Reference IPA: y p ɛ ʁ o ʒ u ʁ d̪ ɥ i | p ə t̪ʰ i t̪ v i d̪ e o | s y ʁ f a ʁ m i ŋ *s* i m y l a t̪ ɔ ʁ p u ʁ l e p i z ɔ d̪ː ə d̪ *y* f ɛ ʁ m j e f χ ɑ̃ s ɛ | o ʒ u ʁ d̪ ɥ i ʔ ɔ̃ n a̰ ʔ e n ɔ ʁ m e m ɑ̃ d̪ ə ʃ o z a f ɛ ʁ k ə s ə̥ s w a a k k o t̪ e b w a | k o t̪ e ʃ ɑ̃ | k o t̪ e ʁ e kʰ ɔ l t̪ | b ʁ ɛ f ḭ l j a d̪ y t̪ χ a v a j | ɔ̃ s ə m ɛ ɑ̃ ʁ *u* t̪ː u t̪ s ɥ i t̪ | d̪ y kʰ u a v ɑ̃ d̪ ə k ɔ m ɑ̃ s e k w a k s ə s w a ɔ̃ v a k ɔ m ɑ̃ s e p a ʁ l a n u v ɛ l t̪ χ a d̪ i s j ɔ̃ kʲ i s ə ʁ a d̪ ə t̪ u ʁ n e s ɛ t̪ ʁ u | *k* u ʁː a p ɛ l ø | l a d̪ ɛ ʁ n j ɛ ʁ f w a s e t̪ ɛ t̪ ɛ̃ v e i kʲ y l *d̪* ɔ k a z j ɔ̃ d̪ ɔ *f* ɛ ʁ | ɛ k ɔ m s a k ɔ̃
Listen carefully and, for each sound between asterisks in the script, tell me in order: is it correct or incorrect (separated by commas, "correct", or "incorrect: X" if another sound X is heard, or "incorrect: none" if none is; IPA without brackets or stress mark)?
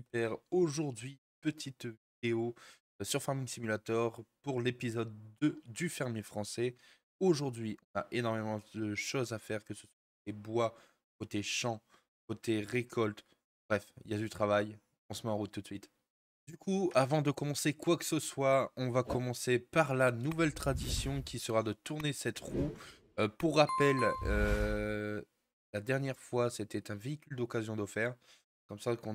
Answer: correct, correct, correct, incorrect: p, correct, correct